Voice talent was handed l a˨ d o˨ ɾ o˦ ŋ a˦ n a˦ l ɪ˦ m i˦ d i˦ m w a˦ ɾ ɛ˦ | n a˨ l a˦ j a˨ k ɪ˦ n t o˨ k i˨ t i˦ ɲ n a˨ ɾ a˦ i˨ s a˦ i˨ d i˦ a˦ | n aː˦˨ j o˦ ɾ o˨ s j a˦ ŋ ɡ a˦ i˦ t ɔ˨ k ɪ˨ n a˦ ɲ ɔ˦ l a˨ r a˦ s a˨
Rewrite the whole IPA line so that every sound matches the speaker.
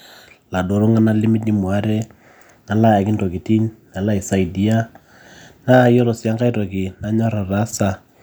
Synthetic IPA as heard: l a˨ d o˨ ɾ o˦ ŋ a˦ n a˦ l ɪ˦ m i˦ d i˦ m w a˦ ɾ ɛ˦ | n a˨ l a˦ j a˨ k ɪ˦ n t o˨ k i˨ t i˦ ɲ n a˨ l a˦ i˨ s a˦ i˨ d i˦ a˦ | n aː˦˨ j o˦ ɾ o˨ s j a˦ ŋ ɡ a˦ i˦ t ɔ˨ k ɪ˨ n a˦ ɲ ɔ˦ ɾ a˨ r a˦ s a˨